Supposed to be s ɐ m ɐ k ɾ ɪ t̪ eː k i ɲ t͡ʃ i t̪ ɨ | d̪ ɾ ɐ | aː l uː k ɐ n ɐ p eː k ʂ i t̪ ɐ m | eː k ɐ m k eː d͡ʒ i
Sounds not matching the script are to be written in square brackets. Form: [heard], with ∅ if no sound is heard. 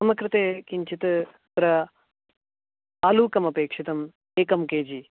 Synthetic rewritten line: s ɐ m ɐ k ɾ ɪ t̪ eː k i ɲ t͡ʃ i t̪ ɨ | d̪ ɾ ɐ | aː l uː k ɐ [m] ɐ p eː k ʂ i t̪ ɐ m | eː k ɐ m k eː d͡ʒ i